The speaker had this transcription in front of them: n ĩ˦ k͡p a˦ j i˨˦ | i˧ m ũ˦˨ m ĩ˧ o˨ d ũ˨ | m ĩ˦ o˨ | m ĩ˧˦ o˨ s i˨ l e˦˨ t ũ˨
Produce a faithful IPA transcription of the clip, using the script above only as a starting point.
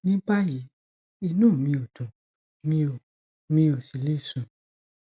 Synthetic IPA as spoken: n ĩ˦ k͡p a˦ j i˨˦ | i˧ n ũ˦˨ m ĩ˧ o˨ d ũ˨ | m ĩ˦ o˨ | m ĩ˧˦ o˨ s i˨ l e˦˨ s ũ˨